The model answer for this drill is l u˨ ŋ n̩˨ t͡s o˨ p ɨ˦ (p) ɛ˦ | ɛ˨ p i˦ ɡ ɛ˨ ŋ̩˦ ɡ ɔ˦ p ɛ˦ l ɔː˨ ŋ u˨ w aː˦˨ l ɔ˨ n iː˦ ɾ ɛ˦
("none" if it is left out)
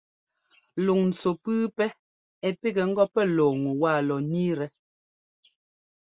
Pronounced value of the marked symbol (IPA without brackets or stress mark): p